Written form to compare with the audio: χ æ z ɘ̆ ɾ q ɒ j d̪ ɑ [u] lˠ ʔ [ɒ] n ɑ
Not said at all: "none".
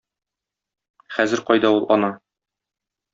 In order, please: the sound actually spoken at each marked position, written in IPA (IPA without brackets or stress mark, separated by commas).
u, ɒ